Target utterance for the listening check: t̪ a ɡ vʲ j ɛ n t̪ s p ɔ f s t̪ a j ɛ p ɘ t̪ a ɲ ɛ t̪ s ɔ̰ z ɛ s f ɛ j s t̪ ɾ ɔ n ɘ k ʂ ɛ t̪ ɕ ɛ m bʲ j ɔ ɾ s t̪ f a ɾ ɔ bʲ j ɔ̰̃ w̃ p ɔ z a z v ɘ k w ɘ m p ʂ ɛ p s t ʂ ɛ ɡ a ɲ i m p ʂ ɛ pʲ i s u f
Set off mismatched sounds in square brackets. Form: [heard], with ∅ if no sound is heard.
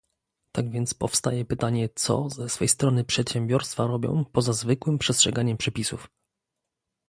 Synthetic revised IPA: t̪ a ɡ vʲ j ɛ n t̪ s p ɔ f s t̪ a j ɛ p ɘ t̪ a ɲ ɛ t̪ s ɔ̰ z ɛ s f ɛ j s t̪ ɾ ɔ n ɘ [p] ʂ ɛ t̪ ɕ ɛ m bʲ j ɔ ɾ s t̪ f a ɾ ɔ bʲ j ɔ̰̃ w̃ p ɔ z a z v ɘ k w ɘ m p ʂ ɛ [∅] s t ʂ ɛ ɡ a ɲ [ɛ] m p ʂ ɛ pʲ i s u f